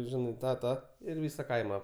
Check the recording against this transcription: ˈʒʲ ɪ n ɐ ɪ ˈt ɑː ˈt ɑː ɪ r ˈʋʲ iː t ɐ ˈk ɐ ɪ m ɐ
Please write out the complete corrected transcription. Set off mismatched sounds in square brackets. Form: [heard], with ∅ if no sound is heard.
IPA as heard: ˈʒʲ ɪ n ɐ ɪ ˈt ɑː ˈt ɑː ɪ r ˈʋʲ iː [s] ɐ ˈk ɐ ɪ m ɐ